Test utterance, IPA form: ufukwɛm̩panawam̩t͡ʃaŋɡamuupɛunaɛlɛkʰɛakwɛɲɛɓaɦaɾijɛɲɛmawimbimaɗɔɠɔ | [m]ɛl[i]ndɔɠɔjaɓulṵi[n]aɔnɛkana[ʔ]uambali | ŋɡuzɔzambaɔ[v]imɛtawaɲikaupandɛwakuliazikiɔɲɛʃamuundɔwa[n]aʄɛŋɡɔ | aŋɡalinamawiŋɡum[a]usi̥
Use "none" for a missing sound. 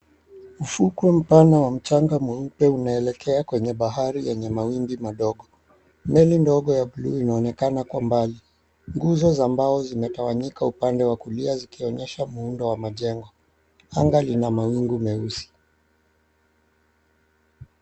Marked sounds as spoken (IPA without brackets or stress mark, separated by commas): m, i, n, k, z, m, ɛ